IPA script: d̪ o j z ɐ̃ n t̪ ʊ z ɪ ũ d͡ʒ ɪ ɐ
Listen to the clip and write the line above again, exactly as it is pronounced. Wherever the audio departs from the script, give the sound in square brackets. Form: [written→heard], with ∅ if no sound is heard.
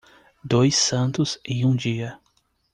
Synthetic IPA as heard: d̪ o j [z→s] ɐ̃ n t̪ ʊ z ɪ ũ d͡ʒ [ɪ→i] ɐ

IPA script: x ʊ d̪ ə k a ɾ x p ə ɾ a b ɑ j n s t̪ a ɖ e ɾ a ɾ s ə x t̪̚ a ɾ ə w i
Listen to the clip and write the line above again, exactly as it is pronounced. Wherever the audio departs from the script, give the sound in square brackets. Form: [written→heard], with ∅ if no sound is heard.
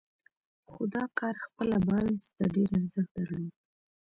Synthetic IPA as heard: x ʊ d̪ [ə→ɑ] k [a→ɑ] ɾ x p ə [ɾ→l] a b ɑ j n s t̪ a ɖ e ɾ a ɾ [s→z] ə x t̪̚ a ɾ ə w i

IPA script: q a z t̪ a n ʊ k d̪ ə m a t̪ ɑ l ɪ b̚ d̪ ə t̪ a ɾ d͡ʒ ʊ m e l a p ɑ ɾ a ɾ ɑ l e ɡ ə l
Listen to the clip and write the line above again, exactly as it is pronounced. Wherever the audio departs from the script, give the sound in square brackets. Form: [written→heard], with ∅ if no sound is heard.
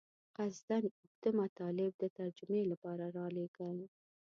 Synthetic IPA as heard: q a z [t̪→d̪] a n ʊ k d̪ ə m a t̪ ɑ l ɪ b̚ d̪ ə t̪ a ɾ d͡ʒ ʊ m e l a p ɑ ɾ a ɾ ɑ l e ɡ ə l

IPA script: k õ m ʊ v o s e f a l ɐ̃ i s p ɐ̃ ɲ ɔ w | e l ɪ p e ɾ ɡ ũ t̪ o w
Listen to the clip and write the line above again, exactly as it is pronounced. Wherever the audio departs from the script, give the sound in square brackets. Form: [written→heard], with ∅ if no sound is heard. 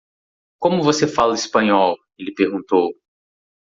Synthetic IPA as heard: k õ m ʊ v o s e f a l [ɐ̃→ɐ] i s p ɐ̃ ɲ ɔ w | e l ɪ p e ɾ ɡ ũ t̪ o w

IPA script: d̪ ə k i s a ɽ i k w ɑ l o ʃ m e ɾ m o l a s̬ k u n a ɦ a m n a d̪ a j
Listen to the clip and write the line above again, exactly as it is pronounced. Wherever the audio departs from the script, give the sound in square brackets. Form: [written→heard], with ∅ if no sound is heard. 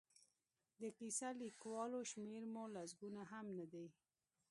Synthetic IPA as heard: d̪ ə k i s a [ɽ→l] i k w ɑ l o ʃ m e ɾ m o l a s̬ [k→ɡ] u n a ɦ a m n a d̪ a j

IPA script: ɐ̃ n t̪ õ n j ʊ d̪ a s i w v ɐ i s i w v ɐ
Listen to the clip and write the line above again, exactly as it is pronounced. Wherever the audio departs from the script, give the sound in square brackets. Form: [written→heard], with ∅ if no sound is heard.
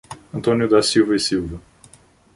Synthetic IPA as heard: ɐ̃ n t̪ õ n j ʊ d̪ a s i w v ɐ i s i w v ɐ

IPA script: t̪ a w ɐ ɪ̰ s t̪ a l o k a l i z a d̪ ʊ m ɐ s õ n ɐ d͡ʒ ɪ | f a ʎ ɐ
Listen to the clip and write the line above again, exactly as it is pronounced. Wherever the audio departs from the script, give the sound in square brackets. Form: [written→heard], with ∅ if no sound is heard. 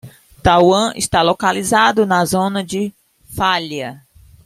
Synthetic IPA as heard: t̪ a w [ɐ→ɐ̃] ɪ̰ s t̪ a l o k a l i z a d̪ ʊ [m→n] ɐ [s→z] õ n ɐ d͡ʒ ɪ | f a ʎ ɐ

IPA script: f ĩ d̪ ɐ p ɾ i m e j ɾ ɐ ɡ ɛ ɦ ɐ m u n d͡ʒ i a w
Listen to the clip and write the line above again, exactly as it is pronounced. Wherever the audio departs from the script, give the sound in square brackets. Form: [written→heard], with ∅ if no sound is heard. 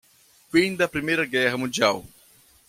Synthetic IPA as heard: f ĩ d̪ ɐ p ɾ i m e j ɾ ɐ ɡ ɛ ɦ ɐ m [u→ũ] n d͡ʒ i a w

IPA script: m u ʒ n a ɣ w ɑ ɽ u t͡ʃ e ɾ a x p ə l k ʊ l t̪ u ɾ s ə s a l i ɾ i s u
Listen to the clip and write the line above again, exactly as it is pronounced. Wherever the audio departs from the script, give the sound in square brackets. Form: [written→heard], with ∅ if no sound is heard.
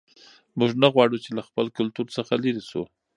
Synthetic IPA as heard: m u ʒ n a ɣ w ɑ ɽ u t͡ʃ e [ɾ→l] a x p ə l k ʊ l t̪ u ɾ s ə [s→x] a l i ɾ i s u

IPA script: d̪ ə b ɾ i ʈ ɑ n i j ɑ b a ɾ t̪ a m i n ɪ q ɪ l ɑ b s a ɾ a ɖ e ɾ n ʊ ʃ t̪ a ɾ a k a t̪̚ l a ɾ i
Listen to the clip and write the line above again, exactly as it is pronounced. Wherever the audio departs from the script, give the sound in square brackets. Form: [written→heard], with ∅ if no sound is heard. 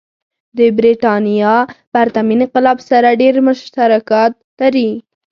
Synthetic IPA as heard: d̪ ə b ɾ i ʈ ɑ n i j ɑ b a ɾ t̪ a m i n ɪ q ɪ l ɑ b s a ɾ a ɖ e ɾ [n→m] ʊ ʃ t̪ a ɾ a k [a→ɑ] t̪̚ l a ɾ i

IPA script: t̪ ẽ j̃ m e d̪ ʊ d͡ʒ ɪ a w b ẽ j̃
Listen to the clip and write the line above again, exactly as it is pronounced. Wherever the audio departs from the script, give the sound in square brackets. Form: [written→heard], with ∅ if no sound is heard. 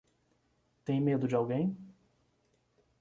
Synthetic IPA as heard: t̪ ẽ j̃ m e d̪ ʊ d͡ʒ ɪ a w [b→ɡ] ẽ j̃

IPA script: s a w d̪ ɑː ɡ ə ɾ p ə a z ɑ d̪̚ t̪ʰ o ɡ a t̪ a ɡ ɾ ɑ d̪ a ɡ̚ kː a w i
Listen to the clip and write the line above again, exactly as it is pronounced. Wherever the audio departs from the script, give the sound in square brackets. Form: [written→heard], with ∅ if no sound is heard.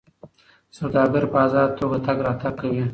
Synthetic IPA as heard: s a w d̪ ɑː ɡ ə ɾ p ə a z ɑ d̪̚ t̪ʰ o ɡ a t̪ a ɡ ɾ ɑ [d̪→t̪] a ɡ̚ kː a w i

